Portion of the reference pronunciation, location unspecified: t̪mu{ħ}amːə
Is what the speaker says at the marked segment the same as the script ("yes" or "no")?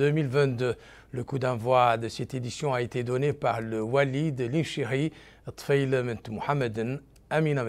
yes